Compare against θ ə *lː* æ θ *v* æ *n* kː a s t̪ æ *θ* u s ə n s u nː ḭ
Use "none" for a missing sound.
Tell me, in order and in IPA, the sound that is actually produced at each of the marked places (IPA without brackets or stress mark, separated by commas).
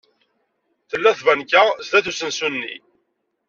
lː, v, n, θ